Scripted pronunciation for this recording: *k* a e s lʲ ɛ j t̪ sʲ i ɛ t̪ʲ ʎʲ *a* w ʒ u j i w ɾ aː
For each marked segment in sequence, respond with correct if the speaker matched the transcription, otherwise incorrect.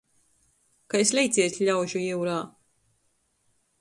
correct, correct

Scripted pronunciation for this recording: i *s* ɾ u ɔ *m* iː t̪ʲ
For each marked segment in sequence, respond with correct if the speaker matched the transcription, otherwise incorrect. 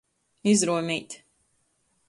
incorrect, correct

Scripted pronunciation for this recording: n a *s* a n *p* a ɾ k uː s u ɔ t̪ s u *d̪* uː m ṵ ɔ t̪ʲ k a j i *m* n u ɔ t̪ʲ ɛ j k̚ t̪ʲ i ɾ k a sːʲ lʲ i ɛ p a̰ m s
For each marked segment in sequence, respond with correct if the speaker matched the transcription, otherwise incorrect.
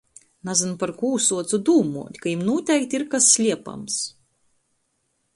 incorrect, correct, correct, correct

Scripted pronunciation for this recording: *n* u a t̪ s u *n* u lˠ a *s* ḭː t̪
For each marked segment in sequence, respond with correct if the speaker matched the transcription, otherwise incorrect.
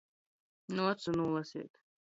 correct, correct, correct

